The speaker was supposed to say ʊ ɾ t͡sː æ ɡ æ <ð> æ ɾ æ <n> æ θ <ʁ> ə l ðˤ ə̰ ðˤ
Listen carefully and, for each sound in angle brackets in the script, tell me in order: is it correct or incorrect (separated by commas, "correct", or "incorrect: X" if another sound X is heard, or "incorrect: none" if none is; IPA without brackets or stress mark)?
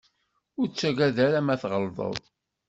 correct, incorrect: m, correct